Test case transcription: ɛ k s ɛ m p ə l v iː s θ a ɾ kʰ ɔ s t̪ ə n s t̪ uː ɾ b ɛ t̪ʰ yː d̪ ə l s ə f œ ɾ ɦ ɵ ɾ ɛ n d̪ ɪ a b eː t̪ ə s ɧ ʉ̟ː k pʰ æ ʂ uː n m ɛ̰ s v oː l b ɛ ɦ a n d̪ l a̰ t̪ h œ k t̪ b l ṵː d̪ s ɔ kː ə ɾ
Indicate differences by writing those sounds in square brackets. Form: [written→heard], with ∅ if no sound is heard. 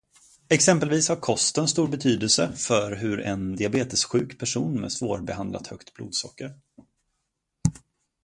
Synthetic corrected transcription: ɛ k s ɛ m p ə l v iː s [θ→h] a ɾ kʰ ɔ s t̪ ə n s t̪ uː ɾ b ɛ t̪ʰ yː d̪ ə l s ə f œ ɾ ɦ ɵ ɾ ɛ n d̪ ɪ a b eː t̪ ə s ɧ ʉ̟ː k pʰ æ ʂ uː n m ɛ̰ s v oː [l→ɾ] b ɛ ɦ a n d̪ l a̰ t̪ h œ k t̪ b l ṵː d̪ s ɔ kː ə ɾ